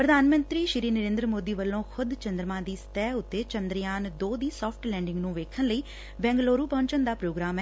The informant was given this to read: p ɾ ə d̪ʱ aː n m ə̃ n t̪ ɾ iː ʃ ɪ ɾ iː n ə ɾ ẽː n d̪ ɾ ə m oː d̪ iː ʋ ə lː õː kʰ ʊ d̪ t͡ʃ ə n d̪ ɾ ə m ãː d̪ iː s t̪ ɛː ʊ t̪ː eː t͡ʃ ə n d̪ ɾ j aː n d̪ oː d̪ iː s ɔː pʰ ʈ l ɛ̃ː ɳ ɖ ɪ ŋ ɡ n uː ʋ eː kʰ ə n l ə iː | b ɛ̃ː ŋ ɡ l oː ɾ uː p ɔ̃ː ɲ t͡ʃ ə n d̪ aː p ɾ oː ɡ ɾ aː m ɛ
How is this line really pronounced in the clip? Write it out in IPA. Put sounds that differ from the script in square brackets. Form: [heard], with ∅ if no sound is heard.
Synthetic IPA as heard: p ɾ ə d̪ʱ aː n m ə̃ n t̪ ɾ iː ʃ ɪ ɾ iː n ə ɾ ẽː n d̪ ɾ ə m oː d̪ iː ʋ ə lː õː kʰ ʊ d̪ t͡ʃ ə n d̪ ɾ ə m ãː d̪ iː s t̪ ɛː ʊ t̪ː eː t͡ʃ ə n d̪ ɾ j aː n d̪ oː d̪ iː s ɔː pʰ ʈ l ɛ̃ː ɳ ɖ ɪ ŋ ɡ n [ũː] ʋ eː kʰ ə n l ə iː | b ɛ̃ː ŋ ɡ l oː ɾ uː p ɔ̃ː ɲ t͡ʃ ə n d̪ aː p ɾ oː ɡ ɾ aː m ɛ